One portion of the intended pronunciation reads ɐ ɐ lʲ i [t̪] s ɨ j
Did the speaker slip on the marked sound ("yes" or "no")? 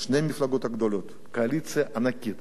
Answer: no